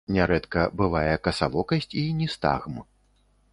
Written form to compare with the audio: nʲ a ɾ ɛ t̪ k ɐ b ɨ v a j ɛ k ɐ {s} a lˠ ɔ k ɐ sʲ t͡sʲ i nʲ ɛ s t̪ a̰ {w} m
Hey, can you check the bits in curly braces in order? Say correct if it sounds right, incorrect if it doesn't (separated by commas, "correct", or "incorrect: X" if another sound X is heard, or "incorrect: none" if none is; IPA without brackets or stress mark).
correct, incorrect: ɣ